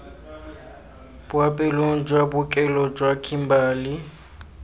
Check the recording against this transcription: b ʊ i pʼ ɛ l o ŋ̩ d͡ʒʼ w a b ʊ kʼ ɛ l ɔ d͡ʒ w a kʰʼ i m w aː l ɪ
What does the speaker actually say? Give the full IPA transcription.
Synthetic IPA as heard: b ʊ a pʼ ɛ l o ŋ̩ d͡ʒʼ w a b ʊ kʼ ɛ l ɔ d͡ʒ w a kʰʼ i m b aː l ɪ